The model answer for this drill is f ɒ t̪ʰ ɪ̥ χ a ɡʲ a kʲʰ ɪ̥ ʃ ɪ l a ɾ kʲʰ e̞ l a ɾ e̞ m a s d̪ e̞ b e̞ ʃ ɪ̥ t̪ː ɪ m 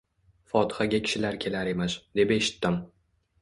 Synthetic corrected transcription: f ɒ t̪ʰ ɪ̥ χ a ɡʲ a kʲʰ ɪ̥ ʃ ɪ l a ɾ kʲʰ e̞ l a ɾ e̞ m a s d̪ e̞ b e̞ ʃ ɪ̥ t̪ː ɪ m